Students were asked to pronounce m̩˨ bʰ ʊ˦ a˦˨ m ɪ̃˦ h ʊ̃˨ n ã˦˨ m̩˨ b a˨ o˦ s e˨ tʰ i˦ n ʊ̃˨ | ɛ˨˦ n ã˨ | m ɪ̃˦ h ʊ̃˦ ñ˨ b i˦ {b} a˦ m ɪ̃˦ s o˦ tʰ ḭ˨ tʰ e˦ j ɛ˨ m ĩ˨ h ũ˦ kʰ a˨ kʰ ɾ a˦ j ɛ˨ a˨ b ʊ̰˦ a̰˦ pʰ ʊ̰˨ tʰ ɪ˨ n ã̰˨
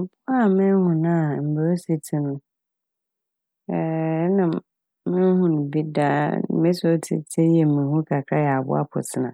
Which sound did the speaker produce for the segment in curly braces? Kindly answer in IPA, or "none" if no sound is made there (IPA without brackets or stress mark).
d